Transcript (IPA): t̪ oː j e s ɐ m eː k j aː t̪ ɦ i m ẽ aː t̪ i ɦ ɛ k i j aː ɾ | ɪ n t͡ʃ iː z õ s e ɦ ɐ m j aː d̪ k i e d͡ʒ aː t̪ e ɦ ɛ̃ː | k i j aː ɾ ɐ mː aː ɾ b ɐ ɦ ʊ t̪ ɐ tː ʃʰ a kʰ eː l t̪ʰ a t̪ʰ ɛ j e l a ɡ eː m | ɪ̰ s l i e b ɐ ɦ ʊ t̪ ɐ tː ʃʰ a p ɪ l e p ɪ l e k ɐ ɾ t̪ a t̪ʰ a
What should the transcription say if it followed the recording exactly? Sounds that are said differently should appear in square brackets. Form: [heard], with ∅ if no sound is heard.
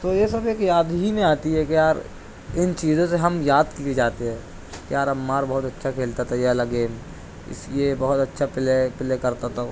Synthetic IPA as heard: t̪ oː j e s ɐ [b] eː k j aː [d̪] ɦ i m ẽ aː t̪ i ɦ ɛ k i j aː ɾ | ɪ n t͡ʃ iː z õ s e ɦ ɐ m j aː d̪ k i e d͡ʒ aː t̪ e ɦ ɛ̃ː | k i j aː ɾ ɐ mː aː ɾ b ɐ ɦ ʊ t̪ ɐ tː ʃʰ a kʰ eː l [t̪] a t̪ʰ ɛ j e l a ɡ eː m | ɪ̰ s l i e b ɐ ɦ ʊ t̪ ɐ tː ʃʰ a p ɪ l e p ɪ l e k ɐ ɾ t̪ a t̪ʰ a